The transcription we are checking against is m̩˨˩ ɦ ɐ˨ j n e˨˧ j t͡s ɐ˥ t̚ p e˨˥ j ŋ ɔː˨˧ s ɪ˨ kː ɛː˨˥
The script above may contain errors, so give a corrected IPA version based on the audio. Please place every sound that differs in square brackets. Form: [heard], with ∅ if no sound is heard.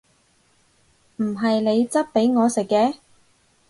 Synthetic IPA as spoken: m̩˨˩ ɦ ɐ˨ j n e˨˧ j t͡s ɐ˥ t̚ p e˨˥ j ŋ ɔː˨˧ s ɪ˨ kː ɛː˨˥